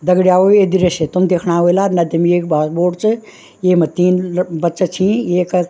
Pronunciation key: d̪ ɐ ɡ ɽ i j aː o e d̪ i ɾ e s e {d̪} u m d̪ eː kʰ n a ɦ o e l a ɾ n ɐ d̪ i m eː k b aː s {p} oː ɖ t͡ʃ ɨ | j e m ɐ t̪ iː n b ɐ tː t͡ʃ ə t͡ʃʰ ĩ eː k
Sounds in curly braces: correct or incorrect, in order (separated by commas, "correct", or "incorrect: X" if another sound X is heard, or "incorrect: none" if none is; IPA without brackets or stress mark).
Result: incorrect: t̪, incorrect: b